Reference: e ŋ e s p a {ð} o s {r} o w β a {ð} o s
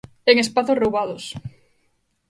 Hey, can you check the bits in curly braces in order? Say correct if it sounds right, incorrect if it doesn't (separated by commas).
incorrect, correct, correct